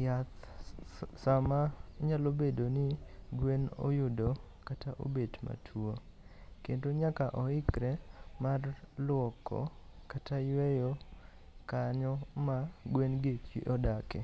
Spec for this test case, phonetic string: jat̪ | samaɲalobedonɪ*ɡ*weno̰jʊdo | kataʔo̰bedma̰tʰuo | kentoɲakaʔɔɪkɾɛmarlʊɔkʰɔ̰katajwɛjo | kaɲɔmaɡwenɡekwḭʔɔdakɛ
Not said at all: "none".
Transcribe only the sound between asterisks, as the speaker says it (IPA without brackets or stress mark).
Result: ɡ